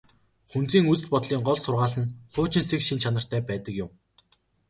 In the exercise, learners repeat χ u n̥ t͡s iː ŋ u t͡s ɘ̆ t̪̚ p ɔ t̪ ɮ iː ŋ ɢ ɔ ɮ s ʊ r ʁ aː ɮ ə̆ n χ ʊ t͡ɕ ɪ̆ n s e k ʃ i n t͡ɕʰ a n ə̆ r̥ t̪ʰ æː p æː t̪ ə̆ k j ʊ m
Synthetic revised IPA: χ u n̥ t͡s iː ŋ u t͡s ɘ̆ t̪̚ p ɔ t̪ ɮ iː ŋ ɢ ɔ ɮ s ʊ r ʁ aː ɮ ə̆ n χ ʊː t͡ɕ ɪ̆ n s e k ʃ i n t͡ɕʰ a n ə̆ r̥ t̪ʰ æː p æː t̪ ə̆ k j ʊ m